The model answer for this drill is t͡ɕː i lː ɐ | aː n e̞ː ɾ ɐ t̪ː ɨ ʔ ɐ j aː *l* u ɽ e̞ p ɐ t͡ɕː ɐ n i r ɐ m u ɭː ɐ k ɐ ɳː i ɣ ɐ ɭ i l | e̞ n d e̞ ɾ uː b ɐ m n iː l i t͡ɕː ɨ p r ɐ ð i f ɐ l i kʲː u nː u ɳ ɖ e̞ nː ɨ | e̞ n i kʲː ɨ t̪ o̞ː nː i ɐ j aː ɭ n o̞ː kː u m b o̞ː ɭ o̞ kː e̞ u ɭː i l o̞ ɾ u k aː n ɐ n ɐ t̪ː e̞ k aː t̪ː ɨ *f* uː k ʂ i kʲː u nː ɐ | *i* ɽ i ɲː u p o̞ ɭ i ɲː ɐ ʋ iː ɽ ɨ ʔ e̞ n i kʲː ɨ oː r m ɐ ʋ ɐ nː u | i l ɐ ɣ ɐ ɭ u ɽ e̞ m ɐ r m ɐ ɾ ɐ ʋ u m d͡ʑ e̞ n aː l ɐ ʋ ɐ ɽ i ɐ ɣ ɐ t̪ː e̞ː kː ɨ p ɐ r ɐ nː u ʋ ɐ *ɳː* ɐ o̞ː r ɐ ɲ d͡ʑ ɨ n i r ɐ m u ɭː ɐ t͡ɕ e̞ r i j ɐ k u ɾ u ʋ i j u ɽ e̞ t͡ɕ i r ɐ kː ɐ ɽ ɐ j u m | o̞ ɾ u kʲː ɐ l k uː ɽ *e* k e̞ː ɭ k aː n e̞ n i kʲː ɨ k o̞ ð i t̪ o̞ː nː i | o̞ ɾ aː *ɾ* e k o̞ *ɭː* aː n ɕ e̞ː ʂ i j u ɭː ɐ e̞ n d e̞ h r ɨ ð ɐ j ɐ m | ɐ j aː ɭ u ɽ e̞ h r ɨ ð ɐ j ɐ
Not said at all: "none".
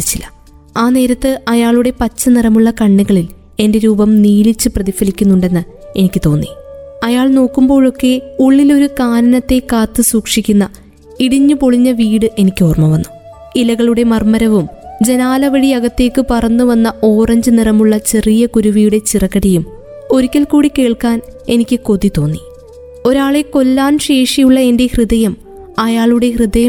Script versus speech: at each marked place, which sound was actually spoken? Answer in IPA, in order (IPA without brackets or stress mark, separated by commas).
ɭ, s, i, nː, i, ɭ, lː